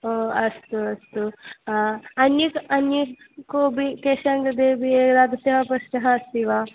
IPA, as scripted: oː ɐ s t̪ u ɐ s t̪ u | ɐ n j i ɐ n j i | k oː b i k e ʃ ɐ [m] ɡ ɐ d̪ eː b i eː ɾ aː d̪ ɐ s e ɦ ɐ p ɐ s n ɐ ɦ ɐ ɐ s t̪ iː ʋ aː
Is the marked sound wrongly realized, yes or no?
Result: yes